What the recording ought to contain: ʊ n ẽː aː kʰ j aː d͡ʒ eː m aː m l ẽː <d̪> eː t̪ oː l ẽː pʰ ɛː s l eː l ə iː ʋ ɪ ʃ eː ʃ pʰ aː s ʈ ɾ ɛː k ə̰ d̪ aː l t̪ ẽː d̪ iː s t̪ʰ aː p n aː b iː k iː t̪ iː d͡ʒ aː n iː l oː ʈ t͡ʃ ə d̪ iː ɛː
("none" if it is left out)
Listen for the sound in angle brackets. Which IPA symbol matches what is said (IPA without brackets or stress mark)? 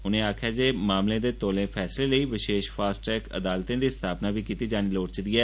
d̪